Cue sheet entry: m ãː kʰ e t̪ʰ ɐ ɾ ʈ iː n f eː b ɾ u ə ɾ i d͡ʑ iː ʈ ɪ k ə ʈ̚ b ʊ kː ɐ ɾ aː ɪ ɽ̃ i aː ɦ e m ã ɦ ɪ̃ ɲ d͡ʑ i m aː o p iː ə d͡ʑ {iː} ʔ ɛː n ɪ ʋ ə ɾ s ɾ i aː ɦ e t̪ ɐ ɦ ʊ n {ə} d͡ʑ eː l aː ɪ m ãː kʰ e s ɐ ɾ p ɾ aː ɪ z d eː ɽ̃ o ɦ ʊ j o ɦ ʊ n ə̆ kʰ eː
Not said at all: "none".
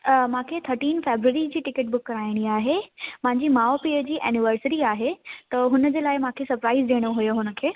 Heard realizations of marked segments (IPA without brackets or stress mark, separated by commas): iː, ə